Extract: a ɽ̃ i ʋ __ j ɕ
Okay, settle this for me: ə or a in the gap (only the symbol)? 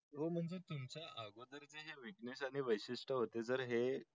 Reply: ə